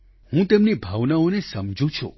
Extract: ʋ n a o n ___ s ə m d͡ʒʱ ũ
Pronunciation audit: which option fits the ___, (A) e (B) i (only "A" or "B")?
A